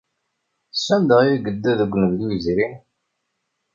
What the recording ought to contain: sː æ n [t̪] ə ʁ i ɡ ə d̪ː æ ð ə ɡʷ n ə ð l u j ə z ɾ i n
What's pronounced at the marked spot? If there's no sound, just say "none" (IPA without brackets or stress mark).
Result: d̪